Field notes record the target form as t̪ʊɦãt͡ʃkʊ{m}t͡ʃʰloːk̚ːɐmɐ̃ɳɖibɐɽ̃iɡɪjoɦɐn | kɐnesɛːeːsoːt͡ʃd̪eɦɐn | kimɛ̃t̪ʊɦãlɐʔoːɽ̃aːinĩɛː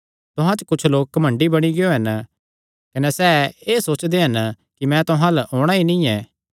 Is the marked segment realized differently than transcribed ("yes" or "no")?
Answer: yes